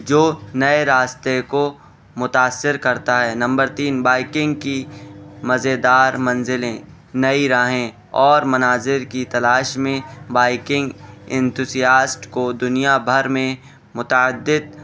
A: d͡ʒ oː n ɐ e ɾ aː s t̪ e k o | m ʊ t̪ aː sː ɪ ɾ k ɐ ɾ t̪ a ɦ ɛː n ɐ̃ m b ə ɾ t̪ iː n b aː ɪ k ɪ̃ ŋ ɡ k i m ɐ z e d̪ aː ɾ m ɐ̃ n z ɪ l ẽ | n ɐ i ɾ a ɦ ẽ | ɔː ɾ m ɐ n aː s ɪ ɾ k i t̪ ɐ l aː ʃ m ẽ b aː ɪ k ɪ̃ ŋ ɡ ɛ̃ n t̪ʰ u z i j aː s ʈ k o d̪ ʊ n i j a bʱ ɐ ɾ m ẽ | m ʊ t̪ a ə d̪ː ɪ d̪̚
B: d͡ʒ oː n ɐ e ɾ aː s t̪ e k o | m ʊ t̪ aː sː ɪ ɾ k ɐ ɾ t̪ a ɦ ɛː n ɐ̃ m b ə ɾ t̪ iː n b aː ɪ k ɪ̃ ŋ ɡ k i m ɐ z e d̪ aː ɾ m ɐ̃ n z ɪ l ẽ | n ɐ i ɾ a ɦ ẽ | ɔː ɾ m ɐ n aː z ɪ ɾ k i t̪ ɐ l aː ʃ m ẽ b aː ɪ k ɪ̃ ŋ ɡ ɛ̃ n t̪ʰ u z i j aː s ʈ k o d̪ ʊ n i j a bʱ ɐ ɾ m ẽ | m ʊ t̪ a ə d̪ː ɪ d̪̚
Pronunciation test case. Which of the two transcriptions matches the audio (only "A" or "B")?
B